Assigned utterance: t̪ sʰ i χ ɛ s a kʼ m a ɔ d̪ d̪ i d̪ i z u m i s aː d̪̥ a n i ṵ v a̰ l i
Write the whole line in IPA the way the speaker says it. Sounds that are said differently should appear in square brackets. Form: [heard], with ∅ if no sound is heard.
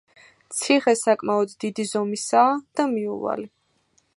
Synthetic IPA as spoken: t̪ sʰ i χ ɛ s a kʼ m a ɔ d̪ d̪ i d̪ i z [ɔ] m i s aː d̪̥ a [m] i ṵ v a̰ l i